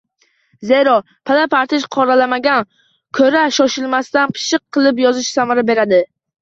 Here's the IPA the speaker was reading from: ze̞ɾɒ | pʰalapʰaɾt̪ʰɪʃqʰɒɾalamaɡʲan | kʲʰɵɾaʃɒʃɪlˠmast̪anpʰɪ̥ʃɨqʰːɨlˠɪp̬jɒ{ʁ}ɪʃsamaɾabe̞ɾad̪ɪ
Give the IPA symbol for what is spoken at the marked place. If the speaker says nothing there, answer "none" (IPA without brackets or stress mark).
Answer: z